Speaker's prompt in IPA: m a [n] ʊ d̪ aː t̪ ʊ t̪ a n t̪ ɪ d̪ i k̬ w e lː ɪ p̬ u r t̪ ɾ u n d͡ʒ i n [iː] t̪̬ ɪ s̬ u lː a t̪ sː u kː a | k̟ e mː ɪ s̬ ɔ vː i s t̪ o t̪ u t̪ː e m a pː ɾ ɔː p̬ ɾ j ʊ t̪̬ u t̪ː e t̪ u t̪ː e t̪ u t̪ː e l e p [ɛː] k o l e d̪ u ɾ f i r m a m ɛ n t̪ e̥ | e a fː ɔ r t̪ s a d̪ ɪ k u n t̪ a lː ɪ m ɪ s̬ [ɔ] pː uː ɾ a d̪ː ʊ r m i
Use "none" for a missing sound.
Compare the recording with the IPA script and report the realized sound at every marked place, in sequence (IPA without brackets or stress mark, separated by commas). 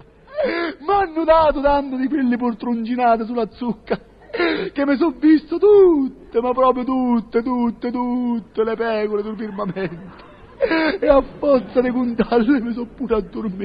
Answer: nː, aː, ɛː, ɔ